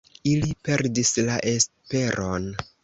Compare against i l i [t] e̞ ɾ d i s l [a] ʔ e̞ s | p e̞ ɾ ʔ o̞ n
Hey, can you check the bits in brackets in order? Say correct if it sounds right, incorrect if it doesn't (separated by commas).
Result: incorrect, correct